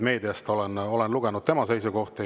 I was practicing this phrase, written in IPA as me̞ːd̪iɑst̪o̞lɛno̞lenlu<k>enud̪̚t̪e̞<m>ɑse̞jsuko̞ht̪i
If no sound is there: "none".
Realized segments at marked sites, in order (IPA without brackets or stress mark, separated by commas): ɡ, m